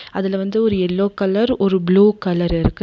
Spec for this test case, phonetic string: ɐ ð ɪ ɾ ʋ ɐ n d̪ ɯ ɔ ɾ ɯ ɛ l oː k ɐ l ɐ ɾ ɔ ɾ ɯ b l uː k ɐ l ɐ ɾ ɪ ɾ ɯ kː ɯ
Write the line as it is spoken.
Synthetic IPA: ɐ ð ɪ l ʋ ɐ n d̪ ɯ ɔ ɾ ɯ ɛ lː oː k ɐ l ɐ ɾ ɔ ɾ ɯ b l uː k ɐ l ɐ ɾ ɪ ɾ ɯ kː ɯ